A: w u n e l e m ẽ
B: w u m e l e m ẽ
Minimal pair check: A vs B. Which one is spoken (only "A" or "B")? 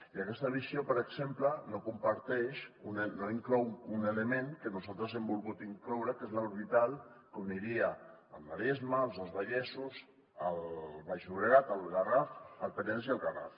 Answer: A